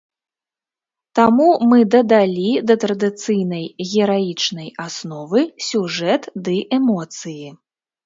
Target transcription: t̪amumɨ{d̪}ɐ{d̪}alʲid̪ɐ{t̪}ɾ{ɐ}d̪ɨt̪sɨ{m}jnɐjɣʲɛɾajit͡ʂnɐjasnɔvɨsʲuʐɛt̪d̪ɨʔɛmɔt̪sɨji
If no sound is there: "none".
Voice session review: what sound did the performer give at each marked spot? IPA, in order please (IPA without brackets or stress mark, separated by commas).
d̪, d̪, t̪, ɐ, none